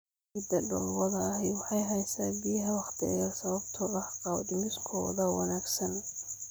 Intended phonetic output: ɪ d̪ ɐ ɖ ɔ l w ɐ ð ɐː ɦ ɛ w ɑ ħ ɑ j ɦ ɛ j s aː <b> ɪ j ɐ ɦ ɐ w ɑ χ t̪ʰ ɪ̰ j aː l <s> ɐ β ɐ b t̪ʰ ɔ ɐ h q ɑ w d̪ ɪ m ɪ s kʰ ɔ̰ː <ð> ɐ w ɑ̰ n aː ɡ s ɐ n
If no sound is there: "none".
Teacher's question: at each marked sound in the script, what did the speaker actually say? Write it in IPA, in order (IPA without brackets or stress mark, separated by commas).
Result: b, s, ð